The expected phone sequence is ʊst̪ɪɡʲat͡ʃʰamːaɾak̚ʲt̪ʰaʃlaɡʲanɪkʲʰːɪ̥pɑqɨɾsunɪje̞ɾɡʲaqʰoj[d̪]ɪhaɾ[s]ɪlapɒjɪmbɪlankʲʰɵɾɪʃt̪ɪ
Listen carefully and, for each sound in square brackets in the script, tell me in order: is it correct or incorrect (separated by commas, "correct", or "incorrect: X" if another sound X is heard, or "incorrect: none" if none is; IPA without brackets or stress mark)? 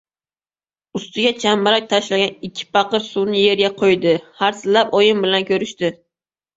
correct, correct